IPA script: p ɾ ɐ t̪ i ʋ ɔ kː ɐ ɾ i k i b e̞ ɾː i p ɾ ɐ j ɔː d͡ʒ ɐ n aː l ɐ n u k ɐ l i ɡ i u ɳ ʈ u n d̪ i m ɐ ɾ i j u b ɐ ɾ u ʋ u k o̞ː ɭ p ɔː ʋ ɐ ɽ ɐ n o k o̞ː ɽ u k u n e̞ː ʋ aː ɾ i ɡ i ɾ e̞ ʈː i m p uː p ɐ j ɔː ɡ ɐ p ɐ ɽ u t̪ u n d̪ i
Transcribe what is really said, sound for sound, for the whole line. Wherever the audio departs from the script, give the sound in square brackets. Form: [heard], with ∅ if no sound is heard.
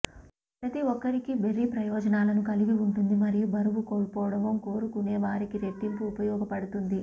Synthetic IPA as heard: p ɾ ɐ t̪ i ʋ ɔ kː ɐ ɾ i k i b e̞ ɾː i p ɾ ɐ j ɔː d͡ʒ ɐ n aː l ɐ n u k ɐ l i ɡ i u ɳ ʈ u n d̪ i m ɐ ɾ i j u b ɐ ɾ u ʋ u k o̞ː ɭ p ɔː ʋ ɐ ɽ ɐ [m] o k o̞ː [ɾ] u k u n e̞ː ʋ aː ɾ i [k] i ɾ e̞ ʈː i m p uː p ɐ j ɔː ɡ ɐ p ɐ ɽ u t̪ u n d̪ i